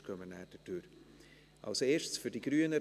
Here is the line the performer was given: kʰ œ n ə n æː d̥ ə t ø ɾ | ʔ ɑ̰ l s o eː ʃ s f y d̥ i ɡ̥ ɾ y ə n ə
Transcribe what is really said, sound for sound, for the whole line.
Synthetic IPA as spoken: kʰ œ m ə n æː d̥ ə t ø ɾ | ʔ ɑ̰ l s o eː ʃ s f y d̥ i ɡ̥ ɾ y ə n ə